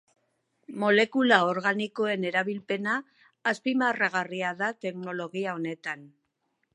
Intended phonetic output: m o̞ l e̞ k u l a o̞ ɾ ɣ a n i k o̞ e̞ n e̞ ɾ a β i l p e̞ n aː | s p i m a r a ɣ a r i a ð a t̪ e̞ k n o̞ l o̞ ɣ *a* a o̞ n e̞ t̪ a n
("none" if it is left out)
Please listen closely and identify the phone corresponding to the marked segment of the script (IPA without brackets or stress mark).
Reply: i